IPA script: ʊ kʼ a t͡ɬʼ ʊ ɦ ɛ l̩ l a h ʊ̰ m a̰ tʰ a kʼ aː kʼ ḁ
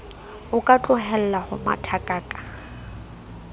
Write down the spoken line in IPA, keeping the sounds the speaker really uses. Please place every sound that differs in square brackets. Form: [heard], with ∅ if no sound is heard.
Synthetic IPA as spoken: ʊ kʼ a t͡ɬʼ ʊ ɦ ɛ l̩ l a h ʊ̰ m a̰ tʰ a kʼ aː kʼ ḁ